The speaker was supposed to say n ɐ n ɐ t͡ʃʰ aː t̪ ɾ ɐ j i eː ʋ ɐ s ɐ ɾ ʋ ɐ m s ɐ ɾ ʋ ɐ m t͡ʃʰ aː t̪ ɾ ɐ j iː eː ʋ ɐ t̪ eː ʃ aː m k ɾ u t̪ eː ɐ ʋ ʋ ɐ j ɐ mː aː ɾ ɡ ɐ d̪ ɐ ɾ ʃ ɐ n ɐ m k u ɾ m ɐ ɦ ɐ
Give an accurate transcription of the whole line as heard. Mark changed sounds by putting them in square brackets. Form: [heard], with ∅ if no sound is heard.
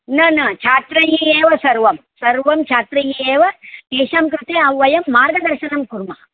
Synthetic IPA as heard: n ɐ n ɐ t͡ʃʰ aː t̪ ɾ ɐ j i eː ʋ ɐ s ɐ ɾ ʋ ɐ m s ɐ ɾ ʋ ɐ m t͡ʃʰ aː t̪ ɾ ɐ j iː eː ʋ ɐ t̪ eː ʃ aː m k ɾ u t̪ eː ɐ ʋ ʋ ɐ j ɐ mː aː ɾ ɡ ɐ d̪ ɐ ɾ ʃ ɐ n ɐ m k u ɾ m ɐ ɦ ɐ